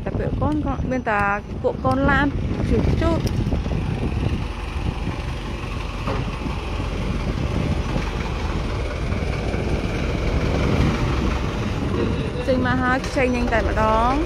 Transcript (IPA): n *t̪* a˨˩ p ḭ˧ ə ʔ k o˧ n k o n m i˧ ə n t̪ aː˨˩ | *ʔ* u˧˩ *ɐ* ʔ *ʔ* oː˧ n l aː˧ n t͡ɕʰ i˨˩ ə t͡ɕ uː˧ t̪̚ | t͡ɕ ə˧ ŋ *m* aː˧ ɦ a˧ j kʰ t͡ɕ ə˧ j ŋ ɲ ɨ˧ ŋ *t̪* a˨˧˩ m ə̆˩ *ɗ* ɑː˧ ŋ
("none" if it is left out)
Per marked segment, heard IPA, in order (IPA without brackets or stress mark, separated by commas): t̪, k, ə, k, m, t̪, ɗ